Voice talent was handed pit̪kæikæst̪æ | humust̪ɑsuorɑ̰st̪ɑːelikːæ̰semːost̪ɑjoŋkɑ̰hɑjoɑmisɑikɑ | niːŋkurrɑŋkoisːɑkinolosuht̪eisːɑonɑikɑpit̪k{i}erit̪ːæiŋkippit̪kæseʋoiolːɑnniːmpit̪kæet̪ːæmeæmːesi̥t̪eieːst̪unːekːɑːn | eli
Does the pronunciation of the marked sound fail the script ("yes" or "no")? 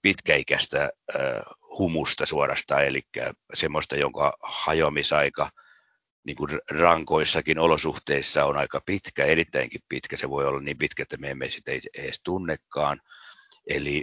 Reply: yes